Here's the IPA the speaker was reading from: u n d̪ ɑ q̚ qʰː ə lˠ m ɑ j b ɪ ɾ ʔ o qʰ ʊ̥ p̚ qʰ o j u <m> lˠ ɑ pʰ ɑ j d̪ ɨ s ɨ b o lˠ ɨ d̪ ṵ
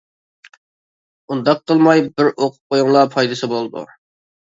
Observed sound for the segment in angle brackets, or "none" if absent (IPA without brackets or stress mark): ŋ